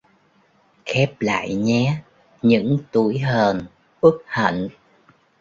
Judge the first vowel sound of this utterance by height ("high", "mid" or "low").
mid